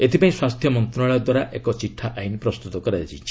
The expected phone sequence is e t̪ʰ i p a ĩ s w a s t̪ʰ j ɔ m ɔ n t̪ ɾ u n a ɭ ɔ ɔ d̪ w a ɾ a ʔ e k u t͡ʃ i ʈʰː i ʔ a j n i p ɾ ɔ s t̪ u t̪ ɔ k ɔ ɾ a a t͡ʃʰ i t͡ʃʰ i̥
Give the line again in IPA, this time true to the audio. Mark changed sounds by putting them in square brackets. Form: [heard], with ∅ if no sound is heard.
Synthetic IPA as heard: e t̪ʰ i p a ĩ s w a s t̪ʰ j ɔ m ɔ n t̪ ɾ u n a ɭ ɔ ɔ d̪ w a ɾ a ʔ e k [ɔ] t͡ʃ i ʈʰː [a] ʔ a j n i p ɾ ɔ s t̪ u t̪ ɔ k ɔ ɾ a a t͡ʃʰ i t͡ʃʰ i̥